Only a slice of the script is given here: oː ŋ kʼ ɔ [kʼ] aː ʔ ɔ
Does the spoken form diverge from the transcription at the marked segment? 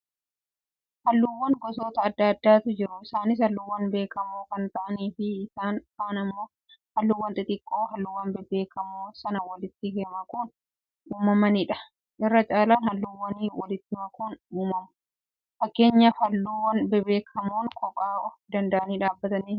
no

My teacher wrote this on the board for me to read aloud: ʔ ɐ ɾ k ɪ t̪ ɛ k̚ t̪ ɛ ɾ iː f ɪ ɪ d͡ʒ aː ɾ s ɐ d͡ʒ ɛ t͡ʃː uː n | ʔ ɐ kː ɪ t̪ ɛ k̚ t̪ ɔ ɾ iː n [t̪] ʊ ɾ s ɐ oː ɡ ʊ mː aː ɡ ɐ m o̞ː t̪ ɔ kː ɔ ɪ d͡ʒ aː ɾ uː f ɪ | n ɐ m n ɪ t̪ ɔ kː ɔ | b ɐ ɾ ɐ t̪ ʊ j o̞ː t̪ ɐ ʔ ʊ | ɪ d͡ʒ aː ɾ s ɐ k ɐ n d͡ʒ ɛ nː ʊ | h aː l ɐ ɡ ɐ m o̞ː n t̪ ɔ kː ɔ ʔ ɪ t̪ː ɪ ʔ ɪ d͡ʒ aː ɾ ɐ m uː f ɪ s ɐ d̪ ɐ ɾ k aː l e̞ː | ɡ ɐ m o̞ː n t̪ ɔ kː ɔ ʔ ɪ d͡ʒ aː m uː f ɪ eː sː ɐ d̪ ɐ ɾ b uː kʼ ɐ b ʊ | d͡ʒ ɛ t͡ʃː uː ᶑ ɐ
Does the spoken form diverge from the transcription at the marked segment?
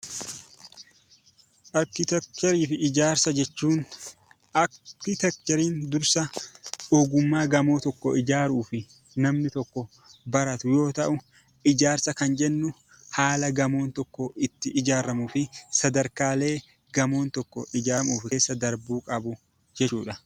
yes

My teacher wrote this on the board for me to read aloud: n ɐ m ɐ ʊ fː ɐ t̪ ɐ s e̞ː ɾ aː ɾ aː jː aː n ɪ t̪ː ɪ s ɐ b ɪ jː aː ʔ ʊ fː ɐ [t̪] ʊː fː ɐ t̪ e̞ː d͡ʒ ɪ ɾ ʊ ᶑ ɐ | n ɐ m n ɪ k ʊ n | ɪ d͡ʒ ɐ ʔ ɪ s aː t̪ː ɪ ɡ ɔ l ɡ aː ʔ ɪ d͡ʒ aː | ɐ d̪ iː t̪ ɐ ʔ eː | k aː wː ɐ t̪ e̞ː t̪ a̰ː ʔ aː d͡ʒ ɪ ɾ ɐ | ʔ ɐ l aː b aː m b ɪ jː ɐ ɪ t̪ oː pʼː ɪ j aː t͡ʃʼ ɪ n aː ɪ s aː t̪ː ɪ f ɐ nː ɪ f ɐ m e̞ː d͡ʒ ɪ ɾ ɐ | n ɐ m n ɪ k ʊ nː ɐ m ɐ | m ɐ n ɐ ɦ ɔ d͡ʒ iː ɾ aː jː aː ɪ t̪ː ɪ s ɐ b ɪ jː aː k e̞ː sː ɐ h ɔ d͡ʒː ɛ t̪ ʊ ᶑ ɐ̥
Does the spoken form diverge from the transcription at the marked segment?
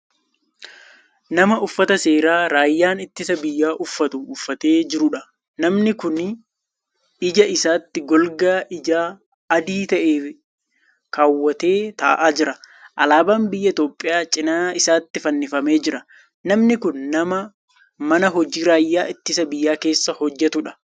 no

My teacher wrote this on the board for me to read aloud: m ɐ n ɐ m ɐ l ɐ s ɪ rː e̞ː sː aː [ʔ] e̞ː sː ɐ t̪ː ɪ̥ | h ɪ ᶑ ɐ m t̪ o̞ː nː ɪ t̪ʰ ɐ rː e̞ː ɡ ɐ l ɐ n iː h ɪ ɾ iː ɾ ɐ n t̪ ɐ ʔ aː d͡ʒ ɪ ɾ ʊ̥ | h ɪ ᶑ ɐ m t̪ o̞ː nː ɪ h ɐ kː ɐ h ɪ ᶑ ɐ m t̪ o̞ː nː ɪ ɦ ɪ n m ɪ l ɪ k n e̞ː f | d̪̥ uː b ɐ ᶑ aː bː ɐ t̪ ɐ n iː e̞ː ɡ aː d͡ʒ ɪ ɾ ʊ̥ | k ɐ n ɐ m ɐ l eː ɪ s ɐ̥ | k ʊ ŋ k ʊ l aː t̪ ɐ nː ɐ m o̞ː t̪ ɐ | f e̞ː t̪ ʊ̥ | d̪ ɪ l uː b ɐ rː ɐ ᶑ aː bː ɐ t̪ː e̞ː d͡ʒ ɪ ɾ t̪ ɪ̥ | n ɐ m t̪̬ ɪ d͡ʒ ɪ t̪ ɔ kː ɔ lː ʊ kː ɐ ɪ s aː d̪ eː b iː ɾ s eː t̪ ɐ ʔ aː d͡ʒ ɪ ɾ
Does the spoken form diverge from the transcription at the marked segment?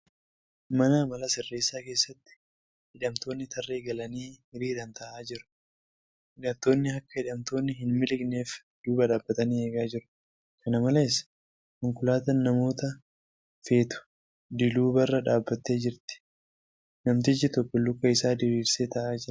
yes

